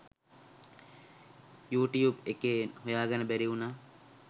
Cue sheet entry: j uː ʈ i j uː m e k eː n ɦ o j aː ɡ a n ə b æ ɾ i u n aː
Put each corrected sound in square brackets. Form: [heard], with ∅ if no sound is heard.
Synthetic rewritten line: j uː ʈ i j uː [b] e k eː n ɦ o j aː ɡ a n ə b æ ɾ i u n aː